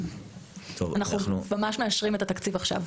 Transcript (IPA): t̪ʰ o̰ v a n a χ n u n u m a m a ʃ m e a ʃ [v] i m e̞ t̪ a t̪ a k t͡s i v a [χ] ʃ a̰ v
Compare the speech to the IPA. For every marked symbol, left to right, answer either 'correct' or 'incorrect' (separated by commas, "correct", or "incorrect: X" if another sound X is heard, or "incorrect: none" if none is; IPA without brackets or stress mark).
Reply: incorrect: ʁ, correct